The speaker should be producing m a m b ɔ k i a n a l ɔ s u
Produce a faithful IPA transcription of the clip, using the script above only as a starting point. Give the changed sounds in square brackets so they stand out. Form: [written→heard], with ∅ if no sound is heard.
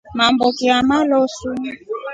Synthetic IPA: m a m b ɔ k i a [n→m] a l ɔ s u